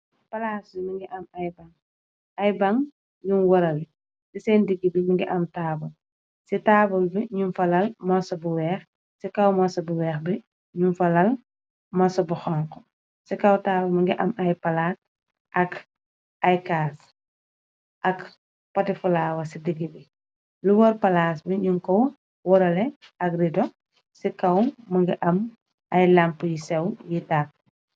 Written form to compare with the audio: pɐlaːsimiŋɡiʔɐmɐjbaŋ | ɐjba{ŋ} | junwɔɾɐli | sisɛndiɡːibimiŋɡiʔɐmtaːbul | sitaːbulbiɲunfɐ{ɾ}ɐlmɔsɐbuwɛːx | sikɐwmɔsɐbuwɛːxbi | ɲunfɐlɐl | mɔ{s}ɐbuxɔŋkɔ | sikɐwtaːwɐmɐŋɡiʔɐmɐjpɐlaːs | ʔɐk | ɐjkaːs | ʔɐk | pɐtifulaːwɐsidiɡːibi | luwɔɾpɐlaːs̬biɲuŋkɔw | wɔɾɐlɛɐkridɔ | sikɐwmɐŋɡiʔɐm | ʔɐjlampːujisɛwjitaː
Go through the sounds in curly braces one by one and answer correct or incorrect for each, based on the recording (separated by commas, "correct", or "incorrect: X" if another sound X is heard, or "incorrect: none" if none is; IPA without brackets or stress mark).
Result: correct, incorrect: l, correct